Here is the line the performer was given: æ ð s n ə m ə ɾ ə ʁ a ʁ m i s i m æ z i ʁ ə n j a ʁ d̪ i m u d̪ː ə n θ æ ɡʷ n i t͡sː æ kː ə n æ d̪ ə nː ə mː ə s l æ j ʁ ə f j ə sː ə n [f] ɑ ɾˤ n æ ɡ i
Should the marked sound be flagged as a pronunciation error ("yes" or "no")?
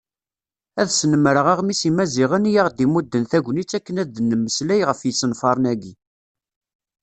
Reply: no